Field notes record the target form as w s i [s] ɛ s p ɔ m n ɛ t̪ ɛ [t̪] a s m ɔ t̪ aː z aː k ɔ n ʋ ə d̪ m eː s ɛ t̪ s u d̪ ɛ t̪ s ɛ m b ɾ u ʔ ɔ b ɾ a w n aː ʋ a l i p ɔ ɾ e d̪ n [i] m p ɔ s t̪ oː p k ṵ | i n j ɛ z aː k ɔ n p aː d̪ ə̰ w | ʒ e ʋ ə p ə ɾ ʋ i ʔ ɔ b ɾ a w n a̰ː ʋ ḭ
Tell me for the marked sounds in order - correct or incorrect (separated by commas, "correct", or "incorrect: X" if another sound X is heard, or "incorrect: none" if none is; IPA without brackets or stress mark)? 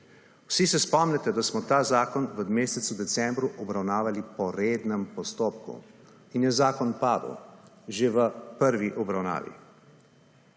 correct, incorrect: d̪, incorrect: ɛ